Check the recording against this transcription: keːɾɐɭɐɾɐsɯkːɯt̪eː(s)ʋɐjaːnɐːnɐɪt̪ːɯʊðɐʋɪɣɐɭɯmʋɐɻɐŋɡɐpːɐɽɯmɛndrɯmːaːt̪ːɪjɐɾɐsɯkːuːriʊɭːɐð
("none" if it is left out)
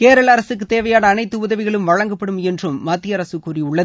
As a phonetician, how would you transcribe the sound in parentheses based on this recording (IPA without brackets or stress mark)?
none